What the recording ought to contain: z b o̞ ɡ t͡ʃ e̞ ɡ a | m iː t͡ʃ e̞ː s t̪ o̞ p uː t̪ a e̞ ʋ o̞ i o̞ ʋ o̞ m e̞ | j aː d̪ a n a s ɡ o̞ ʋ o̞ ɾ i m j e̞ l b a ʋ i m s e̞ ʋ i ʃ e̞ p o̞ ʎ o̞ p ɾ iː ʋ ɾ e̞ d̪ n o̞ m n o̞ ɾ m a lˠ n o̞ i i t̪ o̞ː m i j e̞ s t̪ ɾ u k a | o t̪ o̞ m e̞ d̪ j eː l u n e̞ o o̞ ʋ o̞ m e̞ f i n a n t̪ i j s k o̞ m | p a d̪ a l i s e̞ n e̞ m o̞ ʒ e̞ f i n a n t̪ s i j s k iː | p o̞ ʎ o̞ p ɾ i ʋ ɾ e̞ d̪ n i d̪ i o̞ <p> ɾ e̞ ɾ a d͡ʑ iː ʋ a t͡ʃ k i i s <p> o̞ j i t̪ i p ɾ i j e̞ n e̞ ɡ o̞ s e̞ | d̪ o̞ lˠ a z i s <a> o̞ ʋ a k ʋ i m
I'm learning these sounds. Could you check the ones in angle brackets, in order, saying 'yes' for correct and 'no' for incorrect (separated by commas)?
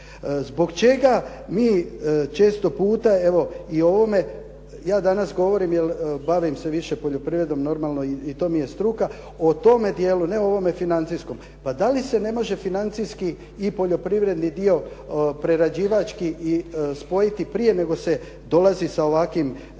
yes, yes, yes